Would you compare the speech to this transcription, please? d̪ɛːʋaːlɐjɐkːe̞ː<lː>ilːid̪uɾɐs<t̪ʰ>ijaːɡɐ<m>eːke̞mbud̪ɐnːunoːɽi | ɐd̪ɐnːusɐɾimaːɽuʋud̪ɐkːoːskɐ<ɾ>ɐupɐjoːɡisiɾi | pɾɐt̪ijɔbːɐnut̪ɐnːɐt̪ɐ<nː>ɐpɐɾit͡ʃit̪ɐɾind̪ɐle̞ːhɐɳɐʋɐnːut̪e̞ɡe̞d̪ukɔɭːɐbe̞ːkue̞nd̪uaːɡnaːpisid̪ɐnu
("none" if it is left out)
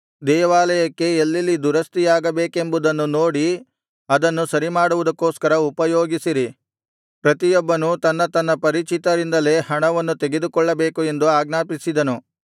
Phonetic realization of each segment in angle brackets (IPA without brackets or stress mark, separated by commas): lː, t̪, b, ɾ, nː